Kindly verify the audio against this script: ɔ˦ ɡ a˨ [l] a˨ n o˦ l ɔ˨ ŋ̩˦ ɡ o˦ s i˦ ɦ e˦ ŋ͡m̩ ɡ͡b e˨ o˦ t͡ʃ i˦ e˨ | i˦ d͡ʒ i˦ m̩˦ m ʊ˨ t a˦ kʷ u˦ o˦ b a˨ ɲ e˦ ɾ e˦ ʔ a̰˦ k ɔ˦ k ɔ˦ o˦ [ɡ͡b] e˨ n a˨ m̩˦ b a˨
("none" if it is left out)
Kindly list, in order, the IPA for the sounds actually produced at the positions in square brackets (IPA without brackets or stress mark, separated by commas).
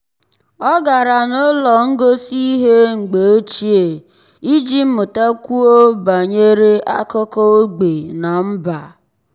ɾ, ɡ͡b